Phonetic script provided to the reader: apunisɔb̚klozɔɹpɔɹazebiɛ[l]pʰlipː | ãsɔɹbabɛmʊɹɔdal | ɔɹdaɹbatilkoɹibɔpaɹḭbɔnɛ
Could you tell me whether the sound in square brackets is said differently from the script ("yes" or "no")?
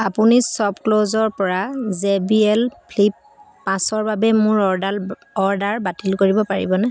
no